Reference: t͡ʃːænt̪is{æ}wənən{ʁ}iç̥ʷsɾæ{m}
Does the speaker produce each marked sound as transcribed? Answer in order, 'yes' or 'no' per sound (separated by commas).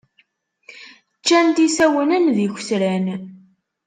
yes, no, no